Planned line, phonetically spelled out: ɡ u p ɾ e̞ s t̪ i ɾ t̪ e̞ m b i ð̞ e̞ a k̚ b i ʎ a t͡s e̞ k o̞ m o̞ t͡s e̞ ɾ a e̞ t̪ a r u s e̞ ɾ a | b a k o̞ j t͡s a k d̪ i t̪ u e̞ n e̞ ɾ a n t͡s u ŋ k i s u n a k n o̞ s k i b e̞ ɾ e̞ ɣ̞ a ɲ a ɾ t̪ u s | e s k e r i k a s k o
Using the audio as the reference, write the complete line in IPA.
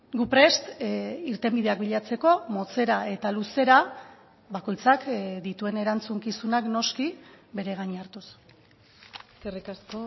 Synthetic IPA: ɡ u p ɾ e̞ s t̪ i ɾ t̪ e̞ m b i ð̞ e̞ a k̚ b i ʎ a t͡s e̞ k o̞ m o̞ t͡s e̞ ɾ a e̞ t̪ a l u s e̞ ɾ a | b a k o̞ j t͡s a k d̪ i t̪ u e̞ n e̞ ɾ a n t͡s u ŋ k i s u n a k n o̞ s k i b e̞ ɾ e̞ ɣ̞ a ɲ a ɾ t̪ u s | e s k e r i k a s k o